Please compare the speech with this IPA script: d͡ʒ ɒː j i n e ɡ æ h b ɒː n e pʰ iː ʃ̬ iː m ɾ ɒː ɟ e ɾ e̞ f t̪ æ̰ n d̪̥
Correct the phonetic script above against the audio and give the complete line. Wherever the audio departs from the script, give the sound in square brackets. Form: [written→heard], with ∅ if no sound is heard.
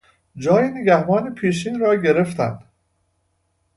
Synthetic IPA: d͡ʒ ɒː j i n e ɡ æ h b ɒː n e pʰ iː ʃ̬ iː [m→n] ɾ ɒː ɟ e ɾ e̞ f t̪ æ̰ n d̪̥